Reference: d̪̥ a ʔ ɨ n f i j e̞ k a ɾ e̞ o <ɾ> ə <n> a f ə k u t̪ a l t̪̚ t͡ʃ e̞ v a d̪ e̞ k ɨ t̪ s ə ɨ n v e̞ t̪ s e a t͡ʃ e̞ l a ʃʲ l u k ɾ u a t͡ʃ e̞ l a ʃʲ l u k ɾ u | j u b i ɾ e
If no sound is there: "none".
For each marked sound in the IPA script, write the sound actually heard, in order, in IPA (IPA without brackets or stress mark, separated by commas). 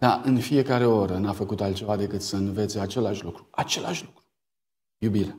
ɾ, n